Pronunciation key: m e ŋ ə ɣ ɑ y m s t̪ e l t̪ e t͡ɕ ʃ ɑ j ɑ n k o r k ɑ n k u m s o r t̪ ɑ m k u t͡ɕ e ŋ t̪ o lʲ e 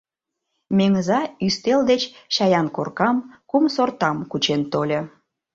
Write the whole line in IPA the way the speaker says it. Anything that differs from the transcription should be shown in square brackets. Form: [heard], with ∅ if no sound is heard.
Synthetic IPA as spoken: m e ŋ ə [z] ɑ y [∅] s t̪ e l [d̪] e t͡ɕ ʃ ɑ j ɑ n k o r k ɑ [m] k u m s o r t̪ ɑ m k u t͡ɕ e [n] t̪ o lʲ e